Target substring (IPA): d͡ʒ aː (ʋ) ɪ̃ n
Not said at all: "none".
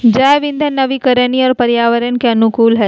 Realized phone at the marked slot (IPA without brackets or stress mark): ʋ